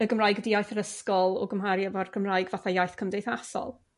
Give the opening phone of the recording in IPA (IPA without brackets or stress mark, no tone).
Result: ə